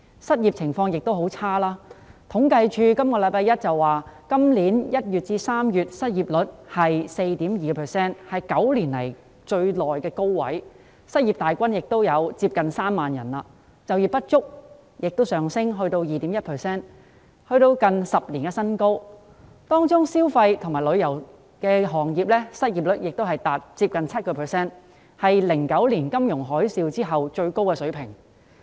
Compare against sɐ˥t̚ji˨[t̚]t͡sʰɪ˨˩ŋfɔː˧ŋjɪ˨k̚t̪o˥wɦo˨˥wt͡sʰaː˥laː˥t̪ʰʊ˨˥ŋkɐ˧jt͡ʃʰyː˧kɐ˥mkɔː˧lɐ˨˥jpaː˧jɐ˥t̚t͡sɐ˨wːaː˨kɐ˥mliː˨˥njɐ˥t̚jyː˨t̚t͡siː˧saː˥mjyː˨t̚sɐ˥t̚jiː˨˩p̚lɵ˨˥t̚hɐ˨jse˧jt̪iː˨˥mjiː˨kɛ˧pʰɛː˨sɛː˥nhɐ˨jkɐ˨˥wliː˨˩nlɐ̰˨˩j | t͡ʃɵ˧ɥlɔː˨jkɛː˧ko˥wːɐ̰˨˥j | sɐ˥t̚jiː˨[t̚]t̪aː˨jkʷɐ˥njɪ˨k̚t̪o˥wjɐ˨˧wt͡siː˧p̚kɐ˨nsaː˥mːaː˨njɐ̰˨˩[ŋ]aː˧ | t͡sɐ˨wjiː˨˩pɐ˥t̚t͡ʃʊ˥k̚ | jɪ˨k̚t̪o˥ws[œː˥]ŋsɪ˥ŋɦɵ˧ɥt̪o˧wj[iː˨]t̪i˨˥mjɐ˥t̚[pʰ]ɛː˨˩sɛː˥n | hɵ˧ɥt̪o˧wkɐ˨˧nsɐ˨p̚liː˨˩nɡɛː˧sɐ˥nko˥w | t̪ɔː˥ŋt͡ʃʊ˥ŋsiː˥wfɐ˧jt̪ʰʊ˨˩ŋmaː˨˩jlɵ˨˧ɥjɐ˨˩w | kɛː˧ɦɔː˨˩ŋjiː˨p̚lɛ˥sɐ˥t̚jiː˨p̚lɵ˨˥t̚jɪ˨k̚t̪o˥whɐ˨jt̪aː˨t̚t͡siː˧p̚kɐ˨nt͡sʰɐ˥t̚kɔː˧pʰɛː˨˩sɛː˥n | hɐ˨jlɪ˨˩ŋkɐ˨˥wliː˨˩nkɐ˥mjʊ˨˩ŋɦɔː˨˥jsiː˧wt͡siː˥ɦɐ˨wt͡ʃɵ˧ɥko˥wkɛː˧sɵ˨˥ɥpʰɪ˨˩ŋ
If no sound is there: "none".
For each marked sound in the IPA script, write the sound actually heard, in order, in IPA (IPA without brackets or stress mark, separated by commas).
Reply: p̚, p̚, n, œː˨˩, iː˨, pʰ